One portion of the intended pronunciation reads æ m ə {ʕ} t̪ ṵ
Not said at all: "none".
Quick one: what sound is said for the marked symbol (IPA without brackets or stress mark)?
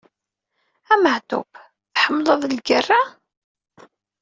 ʕ